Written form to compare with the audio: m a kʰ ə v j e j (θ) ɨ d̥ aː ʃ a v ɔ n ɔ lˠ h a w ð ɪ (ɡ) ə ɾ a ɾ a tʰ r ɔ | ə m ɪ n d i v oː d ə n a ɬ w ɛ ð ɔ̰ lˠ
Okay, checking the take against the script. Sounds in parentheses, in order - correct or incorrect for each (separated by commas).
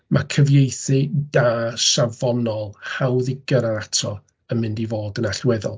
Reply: correct, correct